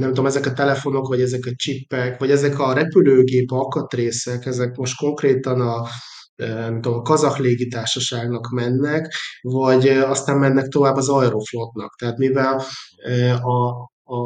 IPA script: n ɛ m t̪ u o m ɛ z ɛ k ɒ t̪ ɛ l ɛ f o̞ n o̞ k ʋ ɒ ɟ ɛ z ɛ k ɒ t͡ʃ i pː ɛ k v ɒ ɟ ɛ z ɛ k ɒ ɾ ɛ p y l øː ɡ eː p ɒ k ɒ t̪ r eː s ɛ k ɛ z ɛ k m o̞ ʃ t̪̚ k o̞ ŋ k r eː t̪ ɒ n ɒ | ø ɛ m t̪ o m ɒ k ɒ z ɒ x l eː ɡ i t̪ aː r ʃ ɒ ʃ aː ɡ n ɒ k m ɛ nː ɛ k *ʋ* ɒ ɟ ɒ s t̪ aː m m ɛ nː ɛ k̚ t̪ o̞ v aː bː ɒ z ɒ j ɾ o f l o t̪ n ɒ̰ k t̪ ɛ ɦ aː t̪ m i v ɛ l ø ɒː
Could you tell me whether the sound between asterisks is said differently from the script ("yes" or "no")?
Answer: yes